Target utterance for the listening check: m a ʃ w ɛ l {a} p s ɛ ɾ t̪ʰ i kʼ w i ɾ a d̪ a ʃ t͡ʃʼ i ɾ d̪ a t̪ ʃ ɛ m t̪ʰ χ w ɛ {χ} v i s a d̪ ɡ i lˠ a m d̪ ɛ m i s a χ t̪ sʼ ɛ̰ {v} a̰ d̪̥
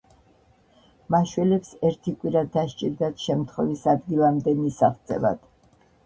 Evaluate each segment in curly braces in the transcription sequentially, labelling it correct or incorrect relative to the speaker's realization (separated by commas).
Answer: incorrect, incorrect, correct